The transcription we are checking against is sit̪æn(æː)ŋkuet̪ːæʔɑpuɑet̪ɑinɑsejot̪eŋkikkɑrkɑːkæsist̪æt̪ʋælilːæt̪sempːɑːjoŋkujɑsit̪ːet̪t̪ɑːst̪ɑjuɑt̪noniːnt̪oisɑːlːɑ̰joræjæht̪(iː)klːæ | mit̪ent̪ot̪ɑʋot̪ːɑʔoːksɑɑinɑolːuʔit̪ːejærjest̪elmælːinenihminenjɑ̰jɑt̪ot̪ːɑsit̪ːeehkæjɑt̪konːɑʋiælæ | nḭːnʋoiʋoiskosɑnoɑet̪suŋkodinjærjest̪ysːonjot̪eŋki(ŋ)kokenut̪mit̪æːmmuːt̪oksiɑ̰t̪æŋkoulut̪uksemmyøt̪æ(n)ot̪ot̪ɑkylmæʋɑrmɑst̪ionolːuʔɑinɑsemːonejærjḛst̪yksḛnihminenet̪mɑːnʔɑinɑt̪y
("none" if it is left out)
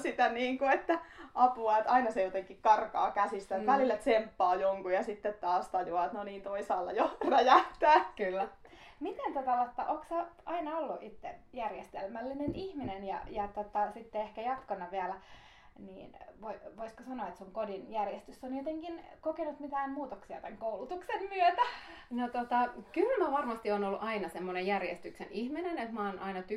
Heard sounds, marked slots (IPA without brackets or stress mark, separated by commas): iː, æː, n, n